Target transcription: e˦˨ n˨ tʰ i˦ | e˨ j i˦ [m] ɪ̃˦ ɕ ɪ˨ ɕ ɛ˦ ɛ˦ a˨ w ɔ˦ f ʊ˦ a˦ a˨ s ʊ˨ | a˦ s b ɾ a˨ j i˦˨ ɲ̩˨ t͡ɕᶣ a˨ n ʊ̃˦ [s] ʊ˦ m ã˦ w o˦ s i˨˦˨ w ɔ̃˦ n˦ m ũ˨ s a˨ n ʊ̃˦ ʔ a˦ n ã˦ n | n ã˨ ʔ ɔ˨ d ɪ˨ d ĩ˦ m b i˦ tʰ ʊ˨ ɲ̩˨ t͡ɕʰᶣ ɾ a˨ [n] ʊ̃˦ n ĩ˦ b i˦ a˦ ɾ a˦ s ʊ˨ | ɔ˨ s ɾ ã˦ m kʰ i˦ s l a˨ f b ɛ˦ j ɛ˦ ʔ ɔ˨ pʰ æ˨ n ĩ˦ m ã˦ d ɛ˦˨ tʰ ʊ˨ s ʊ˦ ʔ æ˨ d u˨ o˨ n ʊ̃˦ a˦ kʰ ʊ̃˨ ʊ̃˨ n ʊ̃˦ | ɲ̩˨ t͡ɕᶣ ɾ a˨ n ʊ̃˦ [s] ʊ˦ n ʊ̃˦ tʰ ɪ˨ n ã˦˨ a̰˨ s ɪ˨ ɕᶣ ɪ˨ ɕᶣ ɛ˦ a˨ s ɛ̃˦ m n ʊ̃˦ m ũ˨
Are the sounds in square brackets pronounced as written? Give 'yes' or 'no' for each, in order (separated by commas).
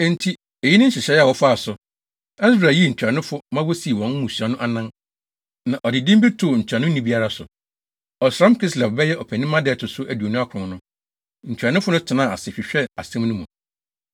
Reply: no, no, yes, no